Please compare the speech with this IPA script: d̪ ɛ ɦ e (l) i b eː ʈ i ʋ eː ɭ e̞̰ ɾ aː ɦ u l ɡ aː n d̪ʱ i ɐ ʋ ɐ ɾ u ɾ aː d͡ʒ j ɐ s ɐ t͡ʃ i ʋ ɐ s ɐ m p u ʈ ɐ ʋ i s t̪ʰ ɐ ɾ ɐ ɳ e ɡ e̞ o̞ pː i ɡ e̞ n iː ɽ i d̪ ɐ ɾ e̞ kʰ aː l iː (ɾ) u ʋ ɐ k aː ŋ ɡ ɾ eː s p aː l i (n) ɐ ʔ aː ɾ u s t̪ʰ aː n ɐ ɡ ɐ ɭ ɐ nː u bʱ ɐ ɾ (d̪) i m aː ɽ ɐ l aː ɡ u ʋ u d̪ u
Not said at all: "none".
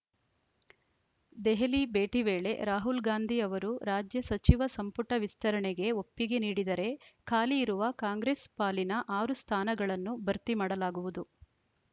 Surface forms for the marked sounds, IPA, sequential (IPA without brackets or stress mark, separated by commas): l, ɾ, n, t̪